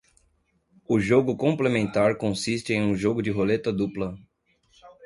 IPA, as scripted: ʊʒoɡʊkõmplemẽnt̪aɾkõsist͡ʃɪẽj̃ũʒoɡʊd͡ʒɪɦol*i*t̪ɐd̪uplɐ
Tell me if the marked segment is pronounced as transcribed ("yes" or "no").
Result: no